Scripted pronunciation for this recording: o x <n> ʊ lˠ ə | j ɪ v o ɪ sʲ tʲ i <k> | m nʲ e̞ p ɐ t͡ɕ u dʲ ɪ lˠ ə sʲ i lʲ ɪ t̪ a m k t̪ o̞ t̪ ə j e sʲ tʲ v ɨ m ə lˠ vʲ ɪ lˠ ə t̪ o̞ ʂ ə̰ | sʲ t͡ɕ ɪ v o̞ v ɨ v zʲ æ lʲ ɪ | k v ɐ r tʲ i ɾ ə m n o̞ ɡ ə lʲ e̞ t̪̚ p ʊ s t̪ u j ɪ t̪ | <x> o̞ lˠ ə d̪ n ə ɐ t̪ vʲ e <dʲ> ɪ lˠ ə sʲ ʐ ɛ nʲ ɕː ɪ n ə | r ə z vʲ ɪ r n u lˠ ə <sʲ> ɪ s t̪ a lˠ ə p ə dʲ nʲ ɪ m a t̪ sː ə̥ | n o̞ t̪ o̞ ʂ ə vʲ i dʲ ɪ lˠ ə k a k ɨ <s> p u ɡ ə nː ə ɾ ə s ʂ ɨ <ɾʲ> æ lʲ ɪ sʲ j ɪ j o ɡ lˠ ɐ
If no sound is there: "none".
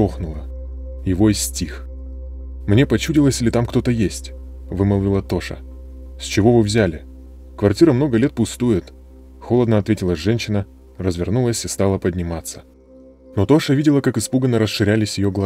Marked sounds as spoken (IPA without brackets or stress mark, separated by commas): n, x, x, tʲ, sʲ, s, ɾʲ